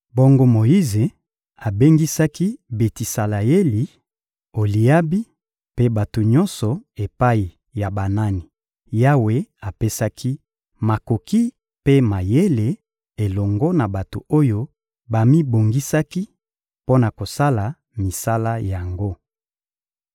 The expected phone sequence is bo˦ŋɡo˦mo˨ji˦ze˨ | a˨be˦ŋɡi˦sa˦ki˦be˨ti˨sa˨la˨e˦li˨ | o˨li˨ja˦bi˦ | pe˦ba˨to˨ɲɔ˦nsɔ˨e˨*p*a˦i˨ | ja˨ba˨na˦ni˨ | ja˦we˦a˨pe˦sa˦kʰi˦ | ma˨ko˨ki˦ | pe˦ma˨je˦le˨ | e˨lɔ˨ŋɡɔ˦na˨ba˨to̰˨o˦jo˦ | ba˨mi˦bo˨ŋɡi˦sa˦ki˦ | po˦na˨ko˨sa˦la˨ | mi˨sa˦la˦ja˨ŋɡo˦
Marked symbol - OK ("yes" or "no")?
yes